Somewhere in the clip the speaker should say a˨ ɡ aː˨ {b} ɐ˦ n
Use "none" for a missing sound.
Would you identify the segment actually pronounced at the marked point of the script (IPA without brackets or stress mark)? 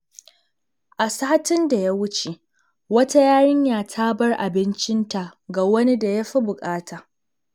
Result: w